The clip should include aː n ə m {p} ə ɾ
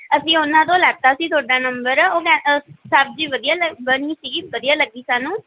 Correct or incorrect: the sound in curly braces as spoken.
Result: incorrect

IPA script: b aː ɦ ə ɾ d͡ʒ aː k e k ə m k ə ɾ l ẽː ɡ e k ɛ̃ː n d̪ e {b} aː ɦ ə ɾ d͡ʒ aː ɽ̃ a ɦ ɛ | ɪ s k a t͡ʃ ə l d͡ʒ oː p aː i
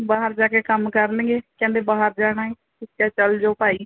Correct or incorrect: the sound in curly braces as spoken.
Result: correct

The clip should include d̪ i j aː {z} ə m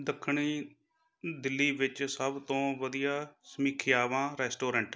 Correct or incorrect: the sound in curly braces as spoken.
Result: incorrect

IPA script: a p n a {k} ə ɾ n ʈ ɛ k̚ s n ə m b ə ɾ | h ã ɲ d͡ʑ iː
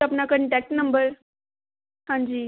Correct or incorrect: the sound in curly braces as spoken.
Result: correct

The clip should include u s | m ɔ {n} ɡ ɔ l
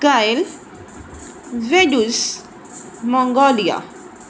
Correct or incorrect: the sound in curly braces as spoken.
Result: incorrect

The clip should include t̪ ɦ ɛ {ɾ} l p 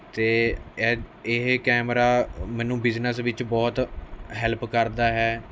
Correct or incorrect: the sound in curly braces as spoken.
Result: incorrect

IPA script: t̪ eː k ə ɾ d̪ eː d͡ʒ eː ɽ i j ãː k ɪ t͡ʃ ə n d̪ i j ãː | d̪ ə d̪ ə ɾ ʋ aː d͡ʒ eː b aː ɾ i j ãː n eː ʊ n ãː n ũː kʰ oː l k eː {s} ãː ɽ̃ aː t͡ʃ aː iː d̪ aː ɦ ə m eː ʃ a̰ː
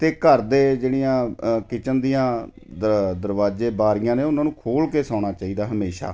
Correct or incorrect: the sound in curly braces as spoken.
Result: correct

